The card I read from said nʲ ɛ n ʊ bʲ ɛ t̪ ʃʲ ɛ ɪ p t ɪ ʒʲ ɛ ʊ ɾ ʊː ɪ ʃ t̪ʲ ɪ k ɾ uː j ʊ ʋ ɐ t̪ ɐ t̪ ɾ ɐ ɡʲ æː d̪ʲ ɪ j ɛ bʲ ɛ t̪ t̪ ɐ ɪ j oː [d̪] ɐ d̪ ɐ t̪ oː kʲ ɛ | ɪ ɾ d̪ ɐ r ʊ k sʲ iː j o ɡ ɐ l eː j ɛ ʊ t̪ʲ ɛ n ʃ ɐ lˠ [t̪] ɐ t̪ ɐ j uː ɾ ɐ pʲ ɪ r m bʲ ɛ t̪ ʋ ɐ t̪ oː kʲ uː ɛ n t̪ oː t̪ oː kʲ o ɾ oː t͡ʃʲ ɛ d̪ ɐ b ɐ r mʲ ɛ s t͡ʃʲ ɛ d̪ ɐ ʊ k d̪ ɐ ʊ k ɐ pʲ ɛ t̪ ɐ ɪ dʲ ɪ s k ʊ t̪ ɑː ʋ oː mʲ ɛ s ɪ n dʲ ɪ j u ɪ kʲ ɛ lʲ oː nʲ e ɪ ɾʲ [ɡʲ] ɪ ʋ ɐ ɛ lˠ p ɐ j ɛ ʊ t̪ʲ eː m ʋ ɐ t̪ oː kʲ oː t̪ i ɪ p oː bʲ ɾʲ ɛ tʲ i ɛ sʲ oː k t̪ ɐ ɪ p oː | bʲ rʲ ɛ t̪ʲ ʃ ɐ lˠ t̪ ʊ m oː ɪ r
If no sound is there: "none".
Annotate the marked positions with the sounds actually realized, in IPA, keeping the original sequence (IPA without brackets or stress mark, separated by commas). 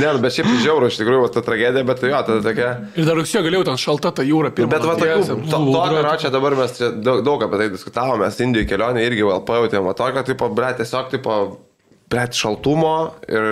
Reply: t̪, t̪, ɡʲ